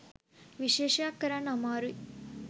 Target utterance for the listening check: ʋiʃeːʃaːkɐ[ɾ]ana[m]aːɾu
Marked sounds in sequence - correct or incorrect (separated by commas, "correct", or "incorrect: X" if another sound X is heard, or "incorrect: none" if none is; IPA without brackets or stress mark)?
correct, correct